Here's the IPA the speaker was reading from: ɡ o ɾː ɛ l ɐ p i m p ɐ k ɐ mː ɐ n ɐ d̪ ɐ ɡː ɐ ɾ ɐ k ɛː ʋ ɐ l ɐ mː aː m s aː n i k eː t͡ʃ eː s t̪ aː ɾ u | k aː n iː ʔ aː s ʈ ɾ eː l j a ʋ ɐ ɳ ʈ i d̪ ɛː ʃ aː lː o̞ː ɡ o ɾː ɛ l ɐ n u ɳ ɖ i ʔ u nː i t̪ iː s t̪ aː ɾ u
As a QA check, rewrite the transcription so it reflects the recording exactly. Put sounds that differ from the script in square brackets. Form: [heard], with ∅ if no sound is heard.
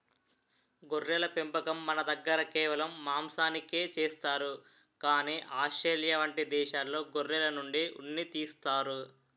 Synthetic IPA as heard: ɡ o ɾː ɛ l ɐ p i m p ɐ k ɐ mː ɐ n ɐ d̪ ɐ ɡː ɐ ɾ ɐ k ɛː ʋ ɐ l ɐ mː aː m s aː n i k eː t͡ʃ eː s t̪ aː ɾ u | k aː n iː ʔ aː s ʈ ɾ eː l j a ʋ ɐ ɳ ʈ i d̪ ɛː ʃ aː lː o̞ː ɡ o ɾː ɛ l ɐ n u ɳ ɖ i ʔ u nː i t̪ iː s t̪ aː ɾ u